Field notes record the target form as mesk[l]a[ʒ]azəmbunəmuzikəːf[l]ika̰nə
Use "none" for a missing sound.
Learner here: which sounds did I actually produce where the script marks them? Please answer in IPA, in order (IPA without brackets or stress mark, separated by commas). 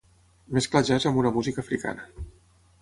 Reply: l, ʒ, ɾ